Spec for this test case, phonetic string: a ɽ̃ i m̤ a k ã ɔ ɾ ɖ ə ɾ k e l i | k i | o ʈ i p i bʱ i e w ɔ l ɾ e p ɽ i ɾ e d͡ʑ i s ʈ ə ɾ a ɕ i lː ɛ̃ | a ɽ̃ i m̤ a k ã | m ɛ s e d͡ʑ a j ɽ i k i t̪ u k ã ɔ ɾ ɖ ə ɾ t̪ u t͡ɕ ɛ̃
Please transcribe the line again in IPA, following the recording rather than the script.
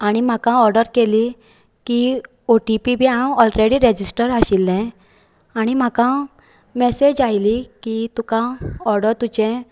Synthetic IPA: a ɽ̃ i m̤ a k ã ɔ ɾ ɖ ə ɾ k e l i | k i | o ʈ i p i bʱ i a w ɔ l ɾ e ɽ i ɾ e d͡ʑ i s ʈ ə ɾ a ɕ i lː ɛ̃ | a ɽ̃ i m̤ a k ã | m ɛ s e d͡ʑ a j l i k i t̪ u k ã ɔ ɾ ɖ ə ɾ t̪ u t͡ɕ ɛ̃